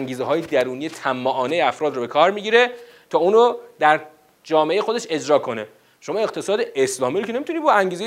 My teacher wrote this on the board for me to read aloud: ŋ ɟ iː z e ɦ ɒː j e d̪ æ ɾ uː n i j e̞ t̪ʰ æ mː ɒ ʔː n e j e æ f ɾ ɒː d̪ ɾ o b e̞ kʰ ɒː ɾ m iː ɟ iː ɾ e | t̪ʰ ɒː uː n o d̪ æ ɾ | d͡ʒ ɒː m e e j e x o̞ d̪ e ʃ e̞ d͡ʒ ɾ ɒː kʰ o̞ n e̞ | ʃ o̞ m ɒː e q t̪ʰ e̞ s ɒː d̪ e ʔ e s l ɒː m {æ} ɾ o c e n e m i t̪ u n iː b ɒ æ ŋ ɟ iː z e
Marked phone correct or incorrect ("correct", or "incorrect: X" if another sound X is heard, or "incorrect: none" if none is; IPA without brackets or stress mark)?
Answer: incorrect: i